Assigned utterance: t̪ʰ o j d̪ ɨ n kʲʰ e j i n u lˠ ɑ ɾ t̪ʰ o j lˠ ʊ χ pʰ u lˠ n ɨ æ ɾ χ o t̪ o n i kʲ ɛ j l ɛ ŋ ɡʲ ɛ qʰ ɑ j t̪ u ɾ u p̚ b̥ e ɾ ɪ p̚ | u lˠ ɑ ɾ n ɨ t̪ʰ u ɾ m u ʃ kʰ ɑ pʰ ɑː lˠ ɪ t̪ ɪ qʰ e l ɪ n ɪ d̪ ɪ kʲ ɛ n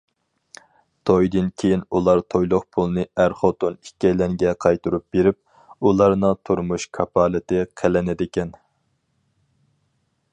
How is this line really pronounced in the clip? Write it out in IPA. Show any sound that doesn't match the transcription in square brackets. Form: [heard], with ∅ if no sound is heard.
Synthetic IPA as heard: t̪ʰ o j d̪ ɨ n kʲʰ e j i n u lˠ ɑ ɾ t̪ʰ o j lˠ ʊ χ pʰ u lˠ n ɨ æ ɾ χ o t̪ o n i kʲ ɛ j l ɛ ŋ ɡʲ ɛ qʰ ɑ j t̪ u ɾ u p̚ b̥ e ɾ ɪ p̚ | u lˠ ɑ ɾ n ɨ t̪ʰ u ɾ m u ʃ kʰ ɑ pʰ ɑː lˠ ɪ t̪ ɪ qʰ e l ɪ n ɪ d̪ ɪ kʲ ɛ n